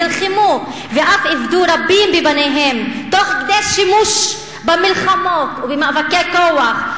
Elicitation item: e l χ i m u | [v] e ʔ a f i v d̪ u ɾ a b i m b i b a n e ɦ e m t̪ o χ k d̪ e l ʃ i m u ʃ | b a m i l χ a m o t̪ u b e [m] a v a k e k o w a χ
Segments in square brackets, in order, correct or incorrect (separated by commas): correct, correct